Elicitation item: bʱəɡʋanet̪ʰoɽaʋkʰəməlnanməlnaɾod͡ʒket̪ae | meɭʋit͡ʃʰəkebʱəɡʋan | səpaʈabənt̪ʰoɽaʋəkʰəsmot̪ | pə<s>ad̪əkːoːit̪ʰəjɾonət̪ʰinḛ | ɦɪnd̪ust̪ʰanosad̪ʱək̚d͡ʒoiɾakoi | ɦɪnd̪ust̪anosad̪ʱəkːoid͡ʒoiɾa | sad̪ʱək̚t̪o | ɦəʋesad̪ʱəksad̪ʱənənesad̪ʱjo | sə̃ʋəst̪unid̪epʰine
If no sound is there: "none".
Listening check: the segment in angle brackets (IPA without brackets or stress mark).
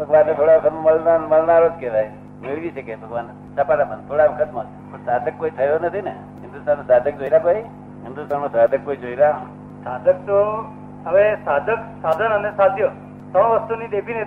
s